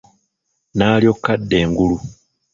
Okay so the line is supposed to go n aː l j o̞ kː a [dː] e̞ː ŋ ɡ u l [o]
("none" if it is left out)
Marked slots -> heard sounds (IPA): dː, u

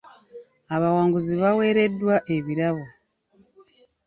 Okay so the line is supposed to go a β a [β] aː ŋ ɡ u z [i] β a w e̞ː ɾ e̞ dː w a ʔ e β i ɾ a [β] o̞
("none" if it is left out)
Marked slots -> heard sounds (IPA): w, i, β

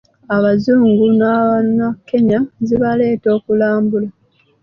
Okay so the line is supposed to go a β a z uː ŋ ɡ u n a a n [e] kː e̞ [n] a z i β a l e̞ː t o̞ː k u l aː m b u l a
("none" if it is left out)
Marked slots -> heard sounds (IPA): a, ɲ

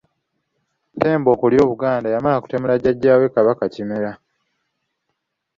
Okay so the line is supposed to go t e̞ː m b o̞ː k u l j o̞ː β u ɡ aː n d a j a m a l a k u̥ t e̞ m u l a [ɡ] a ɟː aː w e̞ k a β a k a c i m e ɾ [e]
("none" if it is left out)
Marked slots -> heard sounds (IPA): ɟ, a

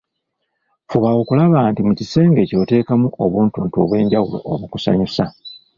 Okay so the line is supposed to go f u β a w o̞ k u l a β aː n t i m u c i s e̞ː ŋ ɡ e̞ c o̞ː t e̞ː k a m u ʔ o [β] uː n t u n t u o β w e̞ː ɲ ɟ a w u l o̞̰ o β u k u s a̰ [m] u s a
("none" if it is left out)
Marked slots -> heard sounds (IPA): β, ɲ

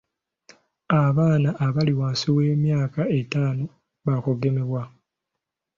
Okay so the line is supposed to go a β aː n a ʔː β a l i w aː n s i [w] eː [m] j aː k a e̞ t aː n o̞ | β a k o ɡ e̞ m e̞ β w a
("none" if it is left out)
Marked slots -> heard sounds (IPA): w, m

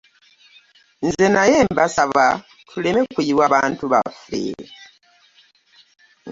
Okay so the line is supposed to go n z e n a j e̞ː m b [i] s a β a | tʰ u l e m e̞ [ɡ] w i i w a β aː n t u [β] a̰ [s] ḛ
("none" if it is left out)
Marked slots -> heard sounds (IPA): a, k, β, f

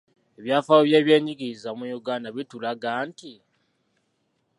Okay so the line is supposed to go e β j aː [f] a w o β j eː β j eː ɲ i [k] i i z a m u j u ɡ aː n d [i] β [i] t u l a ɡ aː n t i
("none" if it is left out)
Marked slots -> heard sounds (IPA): f, ɡ, a, i

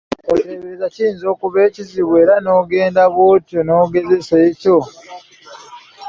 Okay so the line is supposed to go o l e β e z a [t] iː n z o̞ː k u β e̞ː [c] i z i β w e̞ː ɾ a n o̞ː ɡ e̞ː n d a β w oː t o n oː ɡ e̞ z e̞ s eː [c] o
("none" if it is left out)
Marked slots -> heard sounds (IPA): c, c, c

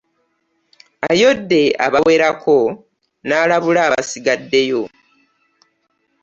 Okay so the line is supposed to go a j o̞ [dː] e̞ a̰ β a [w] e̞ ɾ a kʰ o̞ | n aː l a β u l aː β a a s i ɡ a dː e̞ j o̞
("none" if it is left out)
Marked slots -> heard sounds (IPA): dː, w

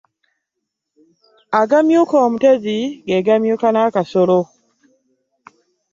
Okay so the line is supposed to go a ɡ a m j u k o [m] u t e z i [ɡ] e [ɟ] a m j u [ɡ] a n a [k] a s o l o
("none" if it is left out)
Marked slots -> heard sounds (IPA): m, ɡ, ɡ, k, k

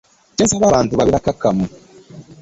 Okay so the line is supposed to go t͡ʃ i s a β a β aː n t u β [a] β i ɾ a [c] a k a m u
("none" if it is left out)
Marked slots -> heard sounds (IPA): a, k

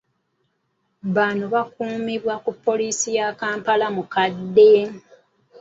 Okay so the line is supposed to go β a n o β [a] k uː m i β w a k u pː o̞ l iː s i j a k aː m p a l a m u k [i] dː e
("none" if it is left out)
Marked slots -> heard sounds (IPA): a, a

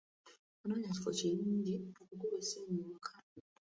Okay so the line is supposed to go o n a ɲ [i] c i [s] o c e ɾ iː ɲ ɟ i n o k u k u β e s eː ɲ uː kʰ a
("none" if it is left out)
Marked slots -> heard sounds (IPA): a, f

